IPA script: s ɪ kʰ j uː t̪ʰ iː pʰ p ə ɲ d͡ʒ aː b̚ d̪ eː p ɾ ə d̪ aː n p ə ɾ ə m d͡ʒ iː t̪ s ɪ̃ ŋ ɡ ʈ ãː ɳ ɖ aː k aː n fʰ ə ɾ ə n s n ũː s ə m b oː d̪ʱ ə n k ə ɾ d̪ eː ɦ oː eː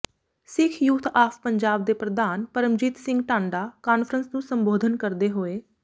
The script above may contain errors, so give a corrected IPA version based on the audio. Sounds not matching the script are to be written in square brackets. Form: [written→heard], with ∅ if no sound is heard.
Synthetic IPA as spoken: s ɪ kʰ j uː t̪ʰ [iː→aː] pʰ p ə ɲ d͡ʒ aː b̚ d̪ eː p ɾ ə d̪ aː n p ə ɾ ə m d͡ʒ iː t̪ s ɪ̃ ŋ ɡ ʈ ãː ɳ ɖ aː k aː n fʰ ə ɾ ə n s n ũː s ə m b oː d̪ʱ ə n k ə ɾ d̪ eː ɦ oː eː